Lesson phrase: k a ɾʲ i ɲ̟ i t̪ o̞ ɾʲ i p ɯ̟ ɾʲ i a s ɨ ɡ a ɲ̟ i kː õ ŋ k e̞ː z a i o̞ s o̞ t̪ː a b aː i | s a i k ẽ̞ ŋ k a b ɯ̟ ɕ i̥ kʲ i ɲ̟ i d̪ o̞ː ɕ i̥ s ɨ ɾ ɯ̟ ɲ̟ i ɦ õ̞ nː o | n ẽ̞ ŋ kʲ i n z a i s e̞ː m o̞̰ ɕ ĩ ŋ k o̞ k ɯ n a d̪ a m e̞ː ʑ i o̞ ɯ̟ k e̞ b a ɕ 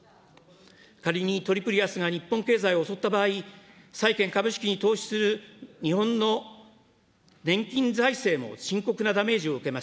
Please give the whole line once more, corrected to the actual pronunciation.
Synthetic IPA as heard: k a ɾʲ i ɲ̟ i t̪ o̞ ɾʲ i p ɯ̟ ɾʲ i a s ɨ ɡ a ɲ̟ i pː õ ŋ k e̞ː z a i o̞ s o̞ t̪ː a b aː i | s a i k ẽ̞ ŋ k a b ɯ̟ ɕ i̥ kʲ i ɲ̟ i t̪ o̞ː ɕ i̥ s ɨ ɾ ɯ̟ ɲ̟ i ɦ õ̞ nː o | n ẽ̞ ŋ kʲ ĩ n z a i s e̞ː m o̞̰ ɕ ĩ ŋ k o̞ k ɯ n a d̪ a m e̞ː ʑ i o̞ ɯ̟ k e̞ m a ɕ

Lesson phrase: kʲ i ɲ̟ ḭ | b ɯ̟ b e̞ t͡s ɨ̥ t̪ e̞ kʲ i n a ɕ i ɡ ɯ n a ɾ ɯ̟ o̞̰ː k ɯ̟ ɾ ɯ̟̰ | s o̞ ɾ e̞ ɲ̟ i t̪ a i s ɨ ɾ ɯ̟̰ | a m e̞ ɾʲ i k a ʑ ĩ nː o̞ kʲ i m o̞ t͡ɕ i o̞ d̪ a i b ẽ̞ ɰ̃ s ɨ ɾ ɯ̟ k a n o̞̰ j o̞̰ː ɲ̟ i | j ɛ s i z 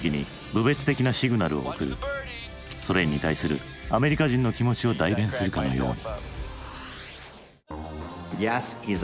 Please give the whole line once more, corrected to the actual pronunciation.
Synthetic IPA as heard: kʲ i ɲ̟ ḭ | b ɯ̟ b e̞ t͡s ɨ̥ t̪ e̞ kʲ i n a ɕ i ɡ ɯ n a ɾ ɯ̟ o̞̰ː k ɯ̟ ɾ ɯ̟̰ | s o̞ ɾ e̞ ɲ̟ i t̪ a i s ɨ ɾ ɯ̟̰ | a m e̞ ɾʲ i k a ʑ ĩ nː o̞ kʲ i m o̞ t͡ɕ i o̞ d̪ a i b ẽ̞ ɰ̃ s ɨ ɾ ɯ̟ k a n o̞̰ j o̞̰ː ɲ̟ i | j ɛ s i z

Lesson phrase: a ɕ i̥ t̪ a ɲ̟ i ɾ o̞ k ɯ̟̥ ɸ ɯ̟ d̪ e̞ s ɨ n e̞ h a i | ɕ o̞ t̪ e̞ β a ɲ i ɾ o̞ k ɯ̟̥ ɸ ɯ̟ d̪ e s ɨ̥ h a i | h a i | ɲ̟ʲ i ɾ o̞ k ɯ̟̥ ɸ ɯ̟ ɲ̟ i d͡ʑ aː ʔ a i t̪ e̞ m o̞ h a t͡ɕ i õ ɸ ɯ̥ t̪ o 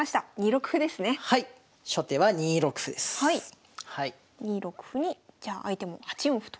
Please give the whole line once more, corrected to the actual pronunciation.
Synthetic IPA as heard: a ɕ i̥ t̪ a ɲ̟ i ɾ o̞ k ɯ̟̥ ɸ ɯ̟ d̪ e̞ s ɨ n e̞ h a i | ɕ o̞ t̪ e̞ β a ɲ i ɾ o̞ k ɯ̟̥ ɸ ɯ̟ d̪ e s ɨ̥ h a i | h a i | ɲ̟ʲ i ɾ o̞ k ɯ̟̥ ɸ ɯ̟ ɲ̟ i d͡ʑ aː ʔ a i t̪ e̞ m o̞ h a t͡ɕ i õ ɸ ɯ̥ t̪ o

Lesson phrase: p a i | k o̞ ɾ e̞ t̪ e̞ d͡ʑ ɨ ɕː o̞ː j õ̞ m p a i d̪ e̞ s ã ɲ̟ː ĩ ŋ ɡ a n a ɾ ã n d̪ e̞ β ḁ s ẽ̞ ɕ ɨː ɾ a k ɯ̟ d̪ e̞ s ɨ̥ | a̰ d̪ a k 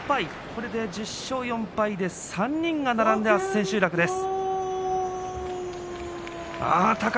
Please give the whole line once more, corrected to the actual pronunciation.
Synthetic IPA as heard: p a i | k o̞ ɾ e̞ d̪ e̞ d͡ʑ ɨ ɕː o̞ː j õ̞ m p a i d̪ e̞ s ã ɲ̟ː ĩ ŋ ɡ a n a ɾ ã n d̪ e̞ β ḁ s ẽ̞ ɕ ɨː ɾ a k ɯ̟ d̪ e̞ s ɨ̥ | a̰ t̪ a k

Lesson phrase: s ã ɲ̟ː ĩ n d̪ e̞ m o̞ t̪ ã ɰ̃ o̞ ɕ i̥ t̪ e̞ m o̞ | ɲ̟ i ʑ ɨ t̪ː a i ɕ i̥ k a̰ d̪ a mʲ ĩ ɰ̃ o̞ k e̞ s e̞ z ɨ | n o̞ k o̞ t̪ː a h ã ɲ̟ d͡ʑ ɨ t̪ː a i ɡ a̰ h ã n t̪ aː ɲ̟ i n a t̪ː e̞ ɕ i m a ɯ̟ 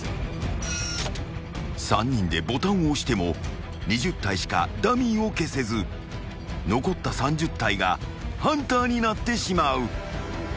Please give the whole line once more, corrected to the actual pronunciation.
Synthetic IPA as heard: s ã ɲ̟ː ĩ n d̪ e̞ b o̞ t̪ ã ɰ̃ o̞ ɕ i̥ t̪ e̞ m o̞ | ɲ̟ i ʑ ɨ t̪ː a i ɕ i̥ k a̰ d̪ a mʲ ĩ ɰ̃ o̞ k e̞ s e̞ z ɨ | n o̞ k o̞ t̪ː a s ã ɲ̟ d͡ʑ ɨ t̪ː a i ɡ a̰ h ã n t̪ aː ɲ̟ i n a t̪ː e̞ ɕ i m a ɯ̟

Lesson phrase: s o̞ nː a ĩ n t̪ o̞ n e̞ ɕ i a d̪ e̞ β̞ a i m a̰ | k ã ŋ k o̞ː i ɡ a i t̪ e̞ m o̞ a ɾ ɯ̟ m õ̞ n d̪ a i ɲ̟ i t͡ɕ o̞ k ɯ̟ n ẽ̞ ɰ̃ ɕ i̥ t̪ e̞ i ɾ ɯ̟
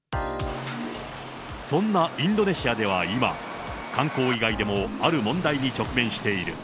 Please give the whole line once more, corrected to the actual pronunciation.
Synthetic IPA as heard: s õ̞ nː a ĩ n d̪ o̞ n e̞ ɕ i a d̪ e̞ β̞ a i m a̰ | k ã ŋ k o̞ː i ɡ a i d̪ e̞ m o̞ a ɾ ɯ̟ m õ̞ n d̪ a i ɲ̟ i t͡ɕ o̞ k ɯ̟ m ẽ̞ ɰ̃ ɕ i̥ t̪ e̞ i ɾ ɯ̟

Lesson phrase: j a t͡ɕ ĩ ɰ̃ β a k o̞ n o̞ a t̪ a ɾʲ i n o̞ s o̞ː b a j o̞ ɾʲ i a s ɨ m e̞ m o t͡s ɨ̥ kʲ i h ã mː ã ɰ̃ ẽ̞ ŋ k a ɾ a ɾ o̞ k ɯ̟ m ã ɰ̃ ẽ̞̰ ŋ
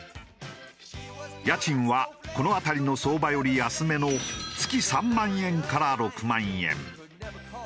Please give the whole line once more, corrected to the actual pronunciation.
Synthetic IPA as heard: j a t͡ɕ ĩ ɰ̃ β a k o̞ n o̞ a t̪ a ɾʲ i n o̞ s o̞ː b a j o̞ ɾʲ i a s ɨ m e̞ n o t͡s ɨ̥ kʲ i s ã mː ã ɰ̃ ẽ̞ ŋ k a ɾ a ɾ o̞ k ɯ̟ m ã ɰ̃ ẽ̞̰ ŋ

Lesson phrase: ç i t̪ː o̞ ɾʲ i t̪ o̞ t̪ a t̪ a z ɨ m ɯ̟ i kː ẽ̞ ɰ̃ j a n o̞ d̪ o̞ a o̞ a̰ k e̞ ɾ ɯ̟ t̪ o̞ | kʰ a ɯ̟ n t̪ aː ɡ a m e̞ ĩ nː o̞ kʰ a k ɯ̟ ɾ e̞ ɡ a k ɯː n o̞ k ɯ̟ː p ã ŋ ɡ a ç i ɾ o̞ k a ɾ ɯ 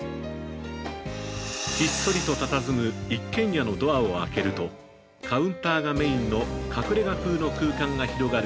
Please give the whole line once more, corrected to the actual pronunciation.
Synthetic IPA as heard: ç i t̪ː o̞ ɾʲ i t̪ o̞ t̪ a t̪ a z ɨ m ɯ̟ i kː ẽ̞ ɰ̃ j a n o̞ d̪ o̞ a o̞ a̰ k e̞ ɾ ɯ̟ t̪ o̞ | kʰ a ɯ̟̃ n t̪ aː ɡ a m e̞ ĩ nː o̞ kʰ a k ɯ̟ ɾ e̞ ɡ a k ɯː n o̞ k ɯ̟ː k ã ŋ ɡ a ç i ɾ o̞ ɡ a ɾ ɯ

